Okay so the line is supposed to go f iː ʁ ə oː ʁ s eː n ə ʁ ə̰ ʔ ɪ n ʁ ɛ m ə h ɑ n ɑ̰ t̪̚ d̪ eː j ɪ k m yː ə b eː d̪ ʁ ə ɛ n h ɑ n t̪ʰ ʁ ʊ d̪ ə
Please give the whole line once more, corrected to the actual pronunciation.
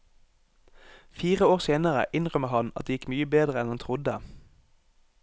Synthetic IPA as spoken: f iː ʁ ə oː ʁ s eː n ə ʁ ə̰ ʔ ɪ n ʁ œ m ə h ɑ n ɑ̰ t̪̚ d̪ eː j ɪ k m yː ə b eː d̪ ʁ ə ɛ n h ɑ n t̪ʰ ʁ ʊ d̪ ə